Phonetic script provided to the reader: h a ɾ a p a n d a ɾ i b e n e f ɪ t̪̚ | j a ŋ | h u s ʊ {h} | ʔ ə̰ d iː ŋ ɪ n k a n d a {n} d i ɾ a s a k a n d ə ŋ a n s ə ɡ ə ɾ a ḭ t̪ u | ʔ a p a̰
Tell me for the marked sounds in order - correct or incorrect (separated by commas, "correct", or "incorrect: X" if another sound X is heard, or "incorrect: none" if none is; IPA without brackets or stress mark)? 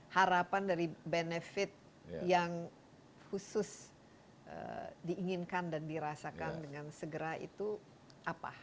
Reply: incorrect: s, correct